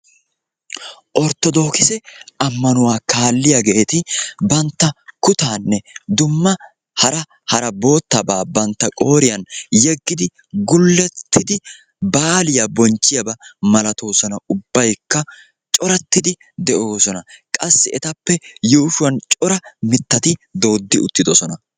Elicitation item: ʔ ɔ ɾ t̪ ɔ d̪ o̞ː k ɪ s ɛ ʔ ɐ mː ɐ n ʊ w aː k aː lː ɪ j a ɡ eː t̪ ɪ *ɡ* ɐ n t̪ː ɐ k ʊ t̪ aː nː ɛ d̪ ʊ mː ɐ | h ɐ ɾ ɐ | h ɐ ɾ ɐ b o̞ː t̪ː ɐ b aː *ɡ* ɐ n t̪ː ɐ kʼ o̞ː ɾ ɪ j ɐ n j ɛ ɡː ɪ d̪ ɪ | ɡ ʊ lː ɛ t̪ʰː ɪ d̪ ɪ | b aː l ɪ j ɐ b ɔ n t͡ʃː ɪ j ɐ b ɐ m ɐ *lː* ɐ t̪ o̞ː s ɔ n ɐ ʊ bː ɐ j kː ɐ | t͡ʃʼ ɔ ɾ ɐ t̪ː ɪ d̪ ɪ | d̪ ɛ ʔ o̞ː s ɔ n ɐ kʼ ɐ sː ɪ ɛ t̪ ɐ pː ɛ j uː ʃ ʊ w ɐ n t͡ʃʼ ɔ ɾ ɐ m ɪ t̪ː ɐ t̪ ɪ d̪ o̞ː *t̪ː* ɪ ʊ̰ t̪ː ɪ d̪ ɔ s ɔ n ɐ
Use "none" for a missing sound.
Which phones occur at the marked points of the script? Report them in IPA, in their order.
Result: b, b, l, d̪ː

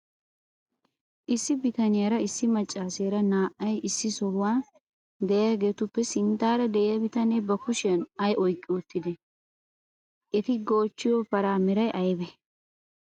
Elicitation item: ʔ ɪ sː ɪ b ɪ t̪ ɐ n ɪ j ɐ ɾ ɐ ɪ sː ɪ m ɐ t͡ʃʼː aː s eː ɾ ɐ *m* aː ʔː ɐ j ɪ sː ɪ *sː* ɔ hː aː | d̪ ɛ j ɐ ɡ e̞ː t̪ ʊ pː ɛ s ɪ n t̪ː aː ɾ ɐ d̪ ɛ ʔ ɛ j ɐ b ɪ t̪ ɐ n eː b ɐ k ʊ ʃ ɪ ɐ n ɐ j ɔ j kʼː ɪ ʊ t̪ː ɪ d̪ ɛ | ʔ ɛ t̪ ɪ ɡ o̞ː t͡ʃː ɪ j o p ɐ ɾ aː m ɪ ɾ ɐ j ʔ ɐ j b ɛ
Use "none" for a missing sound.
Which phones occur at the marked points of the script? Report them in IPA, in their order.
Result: n, s

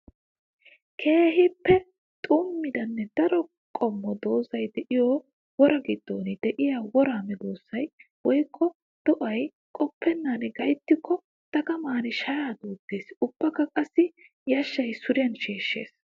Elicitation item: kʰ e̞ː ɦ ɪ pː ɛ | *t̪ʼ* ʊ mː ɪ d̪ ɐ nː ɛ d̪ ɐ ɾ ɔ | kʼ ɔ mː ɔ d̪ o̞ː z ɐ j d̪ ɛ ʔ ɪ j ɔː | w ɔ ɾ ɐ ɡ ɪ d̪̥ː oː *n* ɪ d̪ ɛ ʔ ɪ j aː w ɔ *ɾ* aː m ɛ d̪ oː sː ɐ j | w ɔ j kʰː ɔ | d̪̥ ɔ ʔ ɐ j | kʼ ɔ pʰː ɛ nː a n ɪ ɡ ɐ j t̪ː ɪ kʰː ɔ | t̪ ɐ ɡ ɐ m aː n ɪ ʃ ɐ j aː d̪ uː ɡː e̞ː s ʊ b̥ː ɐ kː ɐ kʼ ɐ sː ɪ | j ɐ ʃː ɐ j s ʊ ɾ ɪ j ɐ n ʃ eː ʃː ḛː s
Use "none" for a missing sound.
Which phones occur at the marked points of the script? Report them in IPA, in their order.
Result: t̪ʼ, n, ɾ

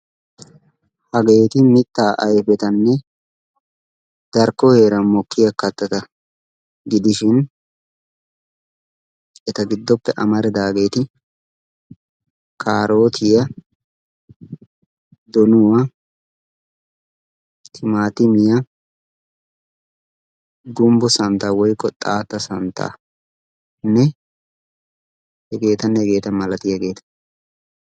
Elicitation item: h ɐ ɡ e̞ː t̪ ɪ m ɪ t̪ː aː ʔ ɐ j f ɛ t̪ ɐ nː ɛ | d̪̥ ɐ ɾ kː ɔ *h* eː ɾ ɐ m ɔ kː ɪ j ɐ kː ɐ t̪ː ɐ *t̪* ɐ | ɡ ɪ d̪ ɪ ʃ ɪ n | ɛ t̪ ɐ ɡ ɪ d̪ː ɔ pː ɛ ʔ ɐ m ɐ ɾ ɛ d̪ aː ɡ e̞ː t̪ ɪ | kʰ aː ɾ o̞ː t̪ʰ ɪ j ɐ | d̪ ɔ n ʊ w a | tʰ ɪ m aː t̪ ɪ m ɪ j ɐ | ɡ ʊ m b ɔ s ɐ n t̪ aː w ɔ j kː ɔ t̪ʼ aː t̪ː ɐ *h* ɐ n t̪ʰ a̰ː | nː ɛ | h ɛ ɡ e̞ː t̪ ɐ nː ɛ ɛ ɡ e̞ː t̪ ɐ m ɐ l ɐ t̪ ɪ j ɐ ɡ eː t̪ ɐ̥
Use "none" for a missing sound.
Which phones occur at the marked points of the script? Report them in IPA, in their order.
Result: h, t̪, s

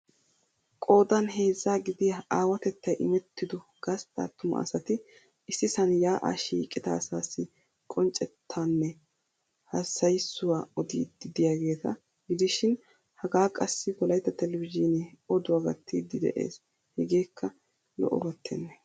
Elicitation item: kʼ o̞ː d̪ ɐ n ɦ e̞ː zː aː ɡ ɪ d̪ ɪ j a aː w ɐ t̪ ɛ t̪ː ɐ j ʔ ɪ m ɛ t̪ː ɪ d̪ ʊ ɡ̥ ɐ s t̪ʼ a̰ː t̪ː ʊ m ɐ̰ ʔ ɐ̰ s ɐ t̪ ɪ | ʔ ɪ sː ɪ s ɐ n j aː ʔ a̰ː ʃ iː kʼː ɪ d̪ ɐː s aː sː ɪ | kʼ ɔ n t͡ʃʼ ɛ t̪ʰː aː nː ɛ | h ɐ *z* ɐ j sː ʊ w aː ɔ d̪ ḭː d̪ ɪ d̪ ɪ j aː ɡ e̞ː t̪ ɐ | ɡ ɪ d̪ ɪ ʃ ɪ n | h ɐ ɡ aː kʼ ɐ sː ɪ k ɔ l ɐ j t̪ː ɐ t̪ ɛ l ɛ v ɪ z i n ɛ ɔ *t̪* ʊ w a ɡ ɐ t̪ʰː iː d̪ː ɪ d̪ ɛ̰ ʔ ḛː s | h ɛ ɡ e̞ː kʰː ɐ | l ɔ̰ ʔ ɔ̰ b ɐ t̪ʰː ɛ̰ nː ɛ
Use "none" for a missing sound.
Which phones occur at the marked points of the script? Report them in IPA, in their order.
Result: s, d̪

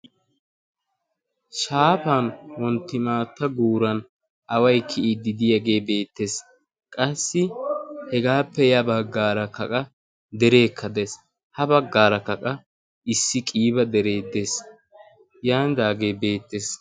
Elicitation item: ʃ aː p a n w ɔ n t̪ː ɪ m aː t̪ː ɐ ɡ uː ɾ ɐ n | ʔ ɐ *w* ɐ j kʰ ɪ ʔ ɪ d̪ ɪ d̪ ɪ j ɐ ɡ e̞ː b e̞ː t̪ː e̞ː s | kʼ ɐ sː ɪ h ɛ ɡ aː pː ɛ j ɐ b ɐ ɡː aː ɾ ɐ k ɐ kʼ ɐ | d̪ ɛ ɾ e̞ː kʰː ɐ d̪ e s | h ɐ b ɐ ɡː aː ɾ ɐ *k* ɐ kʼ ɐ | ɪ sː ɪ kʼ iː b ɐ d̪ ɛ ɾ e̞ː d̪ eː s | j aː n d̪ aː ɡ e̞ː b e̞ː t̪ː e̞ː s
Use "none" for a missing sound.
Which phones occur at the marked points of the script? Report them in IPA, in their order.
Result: w, k

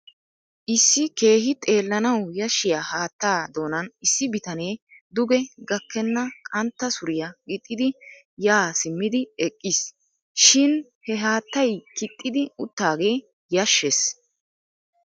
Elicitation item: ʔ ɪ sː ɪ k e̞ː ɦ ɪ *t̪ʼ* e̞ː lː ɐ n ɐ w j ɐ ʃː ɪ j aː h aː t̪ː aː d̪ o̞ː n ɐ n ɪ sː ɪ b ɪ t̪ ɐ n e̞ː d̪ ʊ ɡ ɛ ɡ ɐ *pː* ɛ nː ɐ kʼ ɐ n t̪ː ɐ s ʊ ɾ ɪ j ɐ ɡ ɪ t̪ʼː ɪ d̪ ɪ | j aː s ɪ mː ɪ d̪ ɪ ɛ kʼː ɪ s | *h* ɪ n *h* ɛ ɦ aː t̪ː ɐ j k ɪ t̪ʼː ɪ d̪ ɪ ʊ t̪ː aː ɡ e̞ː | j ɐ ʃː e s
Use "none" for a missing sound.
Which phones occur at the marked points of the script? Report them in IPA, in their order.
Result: t̪ʼ, kː, ʃ, h

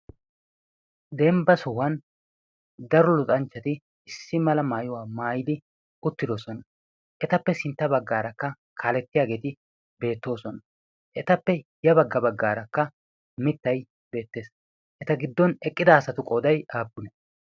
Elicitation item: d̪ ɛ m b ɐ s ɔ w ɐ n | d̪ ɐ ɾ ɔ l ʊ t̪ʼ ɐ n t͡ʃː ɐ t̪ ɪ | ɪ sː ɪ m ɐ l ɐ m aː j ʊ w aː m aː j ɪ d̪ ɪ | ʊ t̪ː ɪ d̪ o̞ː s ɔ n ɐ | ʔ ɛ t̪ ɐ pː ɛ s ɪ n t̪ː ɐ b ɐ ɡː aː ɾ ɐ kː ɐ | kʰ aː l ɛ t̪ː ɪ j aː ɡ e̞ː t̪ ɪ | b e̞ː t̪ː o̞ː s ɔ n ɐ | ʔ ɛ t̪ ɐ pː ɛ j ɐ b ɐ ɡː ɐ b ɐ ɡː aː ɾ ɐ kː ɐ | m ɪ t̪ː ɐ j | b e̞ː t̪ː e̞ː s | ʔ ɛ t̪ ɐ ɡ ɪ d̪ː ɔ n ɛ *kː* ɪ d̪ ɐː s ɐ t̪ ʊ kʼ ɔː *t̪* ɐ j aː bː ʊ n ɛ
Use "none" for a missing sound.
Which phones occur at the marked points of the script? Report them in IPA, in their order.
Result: kʼː, d̪

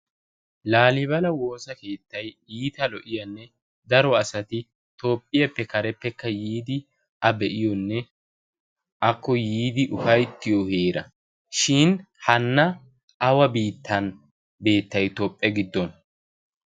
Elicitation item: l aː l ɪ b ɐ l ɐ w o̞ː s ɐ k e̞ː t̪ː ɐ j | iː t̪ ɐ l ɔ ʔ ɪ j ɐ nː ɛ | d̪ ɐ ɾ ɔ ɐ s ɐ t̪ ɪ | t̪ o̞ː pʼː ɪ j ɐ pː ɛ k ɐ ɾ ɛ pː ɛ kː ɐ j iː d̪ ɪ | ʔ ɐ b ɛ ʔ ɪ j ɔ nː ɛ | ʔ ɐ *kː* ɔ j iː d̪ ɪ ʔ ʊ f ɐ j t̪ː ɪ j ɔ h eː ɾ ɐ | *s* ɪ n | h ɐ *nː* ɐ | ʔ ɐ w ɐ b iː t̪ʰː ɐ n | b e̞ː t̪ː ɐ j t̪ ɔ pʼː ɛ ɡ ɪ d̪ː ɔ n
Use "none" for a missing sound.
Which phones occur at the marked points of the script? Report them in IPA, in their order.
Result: kː, ʃ, nː

